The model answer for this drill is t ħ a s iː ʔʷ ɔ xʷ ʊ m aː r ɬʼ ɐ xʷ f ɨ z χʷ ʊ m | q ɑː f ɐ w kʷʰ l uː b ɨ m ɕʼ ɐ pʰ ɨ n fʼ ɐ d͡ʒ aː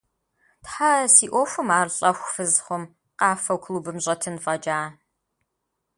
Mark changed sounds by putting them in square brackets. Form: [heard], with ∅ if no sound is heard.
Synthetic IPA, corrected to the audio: t ħ a s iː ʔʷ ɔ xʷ ʊ m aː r ɬʼ ɐ xʷ f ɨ z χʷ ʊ m | q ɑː f ɐ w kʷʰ l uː b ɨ m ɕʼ ɐ [tʰ] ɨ n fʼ ɐ d͡ʒ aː